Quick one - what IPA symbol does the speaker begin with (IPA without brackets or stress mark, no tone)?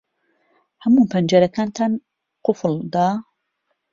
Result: h